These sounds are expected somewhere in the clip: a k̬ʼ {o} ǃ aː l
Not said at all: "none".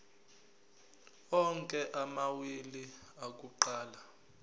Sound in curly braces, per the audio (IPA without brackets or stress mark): u